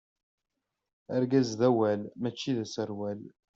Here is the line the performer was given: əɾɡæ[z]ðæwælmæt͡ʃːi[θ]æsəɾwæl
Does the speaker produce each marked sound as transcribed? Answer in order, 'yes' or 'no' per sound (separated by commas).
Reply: yes, no